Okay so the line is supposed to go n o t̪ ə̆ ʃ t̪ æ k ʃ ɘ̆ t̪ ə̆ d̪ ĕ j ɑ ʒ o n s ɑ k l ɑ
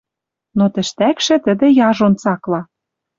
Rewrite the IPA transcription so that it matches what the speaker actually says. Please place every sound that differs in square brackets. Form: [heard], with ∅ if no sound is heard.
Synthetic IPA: n o t̪ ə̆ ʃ t̪ æ k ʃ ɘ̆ t̪ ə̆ d̪ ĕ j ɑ ʒ o n [t͡s] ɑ k l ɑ